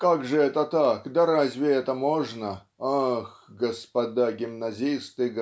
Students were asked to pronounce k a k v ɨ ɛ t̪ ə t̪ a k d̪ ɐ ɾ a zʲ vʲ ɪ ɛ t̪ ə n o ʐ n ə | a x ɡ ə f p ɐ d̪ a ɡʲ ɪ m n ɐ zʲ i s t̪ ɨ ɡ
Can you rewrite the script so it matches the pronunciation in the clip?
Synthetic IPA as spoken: k a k ʐ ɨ ɛ t̪ ə t̪ a k d̪ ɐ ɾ a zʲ vʲ ɪ ɛ t̪ ə m o ʐ n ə | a x ɡ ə s p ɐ d̪ a ɡʲ ɪ m n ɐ zʲ i s t̪ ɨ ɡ